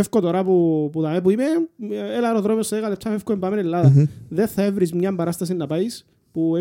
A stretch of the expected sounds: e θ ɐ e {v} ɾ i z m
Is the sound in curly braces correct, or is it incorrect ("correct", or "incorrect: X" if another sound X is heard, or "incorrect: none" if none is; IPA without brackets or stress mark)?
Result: correct